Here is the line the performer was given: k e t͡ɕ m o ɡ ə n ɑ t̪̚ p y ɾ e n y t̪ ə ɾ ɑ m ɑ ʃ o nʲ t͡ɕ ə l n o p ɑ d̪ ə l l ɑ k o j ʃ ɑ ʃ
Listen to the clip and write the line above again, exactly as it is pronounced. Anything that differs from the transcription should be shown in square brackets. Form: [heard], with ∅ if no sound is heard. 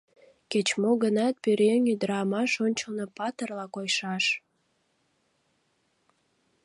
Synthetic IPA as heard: k e t͡ɕ m o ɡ ə n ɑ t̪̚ p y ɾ e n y [d̪] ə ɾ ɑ m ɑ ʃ o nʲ t͡ɕ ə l n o p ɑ [t̪] ə [r] l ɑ k o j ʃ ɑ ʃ

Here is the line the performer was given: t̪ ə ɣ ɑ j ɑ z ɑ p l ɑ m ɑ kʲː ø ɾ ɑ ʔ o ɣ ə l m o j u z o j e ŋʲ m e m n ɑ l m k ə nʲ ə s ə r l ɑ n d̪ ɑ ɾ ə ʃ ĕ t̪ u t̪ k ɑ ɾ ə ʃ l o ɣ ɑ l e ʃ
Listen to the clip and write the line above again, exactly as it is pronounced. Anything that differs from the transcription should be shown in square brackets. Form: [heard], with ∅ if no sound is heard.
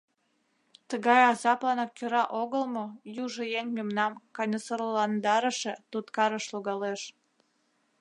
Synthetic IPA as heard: t̪ ə ɣ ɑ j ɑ z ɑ p l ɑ [n] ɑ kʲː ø ɾ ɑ ʔ o ɣ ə l m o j u [ʒ] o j e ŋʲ m e m n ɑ [∅] m k [ɑ] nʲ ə s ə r l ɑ n d̪ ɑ ɾ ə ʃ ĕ t̪ u t̪ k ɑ ɾ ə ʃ l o ɣ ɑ l e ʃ

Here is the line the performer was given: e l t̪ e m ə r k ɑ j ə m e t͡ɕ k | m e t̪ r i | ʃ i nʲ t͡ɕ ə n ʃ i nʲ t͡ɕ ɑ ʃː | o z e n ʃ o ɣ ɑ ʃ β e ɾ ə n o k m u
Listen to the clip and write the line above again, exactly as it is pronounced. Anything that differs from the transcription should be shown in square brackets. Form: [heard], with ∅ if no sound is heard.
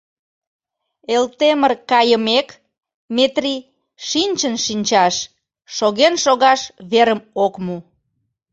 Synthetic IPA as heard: e l t̪ e m ə r k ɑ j ə m e [∅] k | m e t̪ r i | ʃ i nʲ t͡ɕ ə n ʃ i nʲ t͡ɕ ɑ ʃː | o [ɣ] e n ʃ o ɣ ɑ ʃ β e ɾ ə [m] o k m u

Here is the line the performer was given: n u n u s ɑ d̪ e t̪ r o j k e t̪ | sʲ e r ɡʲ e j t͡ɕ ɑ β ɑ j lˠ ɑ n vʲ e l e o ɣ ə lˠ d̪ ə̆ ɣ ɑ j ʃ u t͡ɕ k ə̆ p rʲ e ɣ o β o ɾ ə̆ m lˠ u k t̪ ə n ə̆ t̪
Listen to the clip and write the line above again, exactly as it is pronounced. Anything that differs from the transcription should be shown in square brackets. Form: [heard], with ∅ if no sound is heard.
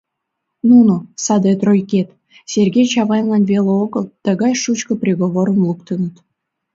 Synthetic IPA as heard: n u n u s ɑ d̪ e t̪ r o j k e t̪ | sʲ e r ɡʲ e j t͡ɕ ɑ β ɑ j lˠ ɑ n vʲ e l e o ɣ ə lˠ [t̪] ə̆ ɣ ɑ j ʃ u t͡ɕ k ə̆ p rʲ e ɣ o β o ɾ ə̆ m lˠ u k t̪ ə n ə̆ t̪

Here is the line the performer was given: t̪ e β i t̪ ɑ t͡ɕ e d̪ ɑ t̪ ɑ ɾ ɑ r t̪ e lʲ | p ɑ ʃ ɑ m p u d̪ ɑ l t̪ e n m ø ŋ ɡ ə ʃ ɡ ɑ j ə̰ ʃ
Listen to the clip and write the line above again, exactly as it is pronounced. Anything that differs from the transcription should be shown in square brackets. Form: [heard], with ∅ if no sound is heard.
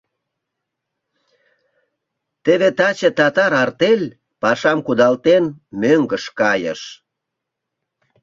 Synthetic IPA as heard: t̪ e β [e] t̪ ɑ t͡ɕ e [t̪] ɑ t̪ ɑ ɾ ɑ r t̪ e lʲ | p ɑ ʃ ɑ m [k] u d̪ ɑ l t̪ e n m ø ŋ ɡ ə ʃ [k] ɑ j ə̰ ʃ

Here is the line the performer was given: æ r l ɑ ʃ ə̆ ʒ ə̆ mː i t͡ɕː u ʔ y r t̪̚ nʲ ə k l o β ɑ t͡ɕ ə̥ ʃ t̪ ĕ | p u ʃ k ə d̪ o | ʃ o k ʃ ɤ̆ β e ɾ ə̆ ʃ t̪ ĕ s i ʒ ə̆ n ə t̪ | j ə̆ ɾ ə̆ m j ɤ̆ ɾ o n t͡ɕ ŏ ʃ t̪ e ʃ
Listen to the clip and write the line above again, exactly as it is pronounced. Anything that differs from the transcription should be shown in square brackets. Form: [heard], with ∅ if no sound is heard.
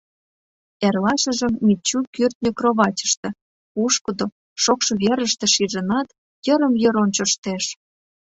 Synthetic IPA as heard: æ r l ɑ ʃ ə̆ ʒ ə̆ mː i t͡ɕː u [k] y r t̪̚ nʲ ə k [r] o β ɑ t͡ɕ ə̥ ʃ t̪ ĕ | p u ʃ k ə d̪ o | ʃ o k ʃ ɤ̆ β e ɾ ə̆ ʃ t̪ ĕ [ʃ] i ʒ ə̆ n [ɑ] t̪ | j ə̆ ɾ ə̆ m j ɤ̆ ɾ o n t͡ɕ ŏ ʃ t̪ e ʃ

